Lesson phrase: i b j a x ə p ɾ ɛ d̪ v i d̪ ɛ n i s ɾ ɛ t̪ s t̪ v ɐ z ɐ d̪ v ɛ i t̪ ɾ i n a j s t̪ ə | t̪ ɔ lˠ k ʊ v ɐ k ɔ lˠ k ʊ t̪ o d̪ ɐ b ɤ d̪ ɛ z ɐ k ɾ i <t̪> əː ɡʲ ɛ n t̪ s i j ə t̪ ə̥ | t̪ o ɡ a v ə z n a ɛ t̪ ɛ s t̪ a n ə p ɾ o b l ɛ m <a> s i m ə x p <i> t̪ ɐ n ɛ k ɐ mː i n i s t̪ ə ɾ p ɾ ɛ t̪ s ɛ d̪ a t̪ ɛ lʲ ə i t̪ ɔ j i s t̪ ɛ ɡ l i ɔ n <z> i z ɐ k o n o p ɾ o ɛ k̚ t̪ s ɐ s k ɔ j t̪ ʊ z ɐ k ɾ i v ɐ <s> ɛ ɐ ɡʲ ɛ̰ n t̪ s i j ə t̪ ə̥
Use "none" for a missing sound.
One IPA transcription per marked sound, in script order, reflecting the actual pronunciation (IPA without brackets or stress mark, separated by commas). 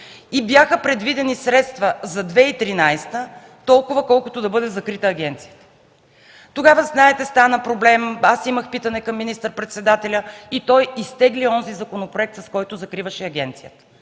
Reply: t̪, a, i, z, ʃ